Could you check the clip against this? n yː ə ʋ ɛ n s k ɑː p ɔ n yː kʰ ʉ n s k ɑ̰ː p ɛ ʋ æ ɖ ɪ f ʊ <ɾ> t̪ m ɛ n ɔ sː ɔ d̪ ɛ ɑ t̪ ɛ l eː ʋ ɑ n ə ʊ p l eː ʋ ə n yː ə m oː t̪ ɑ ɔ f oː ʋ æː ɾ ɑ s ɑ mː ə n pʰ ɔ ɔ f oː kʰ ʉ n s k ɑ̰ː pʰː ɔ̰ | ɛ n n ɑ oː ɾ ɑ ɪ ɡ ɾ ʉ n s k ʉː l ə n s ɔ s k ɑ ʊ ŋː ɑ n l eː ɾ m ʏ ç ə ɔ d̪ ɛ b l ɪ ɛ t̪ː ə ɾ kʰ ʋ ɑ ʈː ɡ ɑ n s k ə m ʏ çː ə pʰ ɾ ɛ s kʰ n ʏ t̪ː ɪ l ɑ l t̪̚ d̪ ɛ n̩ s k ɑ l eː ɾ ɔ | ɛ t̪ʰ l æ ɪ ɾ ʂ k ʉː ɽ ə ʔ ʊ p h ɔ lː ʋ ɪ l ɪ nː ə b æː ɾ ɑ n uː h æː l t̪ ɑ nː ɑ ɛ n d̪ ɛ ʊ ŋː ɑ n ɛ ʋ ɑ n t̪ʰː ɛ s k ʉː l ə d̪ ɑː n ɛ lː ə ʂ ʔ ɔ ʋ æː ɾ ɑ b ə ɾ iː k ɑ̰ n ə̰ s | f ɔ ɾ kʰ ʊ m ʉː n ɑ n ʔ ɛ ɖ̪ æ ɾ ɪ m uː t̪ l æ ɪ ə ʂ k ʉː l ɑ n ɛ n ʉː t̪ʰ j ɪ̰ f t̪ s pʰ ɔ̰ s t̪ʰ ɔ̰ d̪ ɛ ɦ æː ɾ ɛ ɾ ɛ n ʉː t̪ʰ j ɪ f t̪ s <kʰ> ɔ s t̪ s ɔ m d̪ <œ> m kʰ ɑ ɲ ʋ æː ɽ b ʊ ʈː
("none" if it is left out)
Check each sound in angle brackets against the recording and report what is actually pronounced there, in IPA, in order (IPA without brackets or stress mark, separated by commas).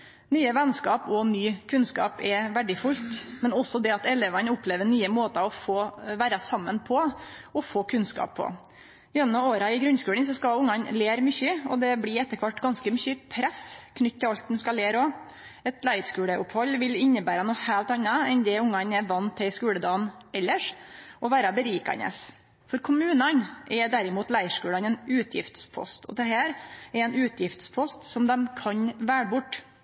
l, pʰ, ɛ